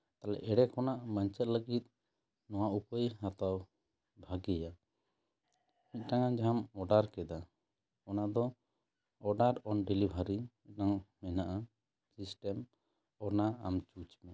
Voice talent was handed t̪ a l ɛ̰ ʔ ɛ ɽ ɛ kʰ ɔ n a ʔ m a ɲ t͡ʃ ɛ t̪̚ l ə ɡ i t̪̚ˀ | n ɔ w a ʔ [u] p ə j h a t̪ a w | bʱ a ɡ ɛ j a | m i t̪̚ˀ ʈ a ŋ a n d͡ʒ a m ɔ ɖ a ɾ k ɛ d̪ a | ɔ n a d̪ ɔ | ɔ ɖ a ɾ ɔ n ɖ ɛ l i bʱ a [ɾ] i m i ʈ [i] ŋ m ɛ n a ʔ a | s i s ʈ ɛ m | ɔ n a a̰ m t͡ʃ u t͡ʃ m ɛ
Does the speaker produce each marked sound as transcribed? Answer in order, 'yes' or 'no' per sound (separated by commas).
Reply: yes, yes, no